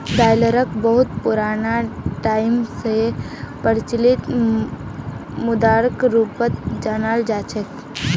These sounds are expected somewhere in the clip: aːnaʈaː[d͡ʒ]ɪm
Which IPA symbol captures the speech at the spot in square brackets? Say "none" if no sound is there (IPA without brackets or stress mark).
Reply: none